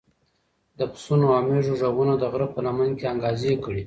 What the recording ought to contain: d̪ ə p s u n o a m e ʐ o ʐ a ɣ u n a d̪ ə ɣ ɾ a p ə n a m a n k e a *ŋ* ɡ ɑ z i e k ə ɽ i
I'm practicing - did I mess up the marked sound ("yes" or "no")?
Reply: no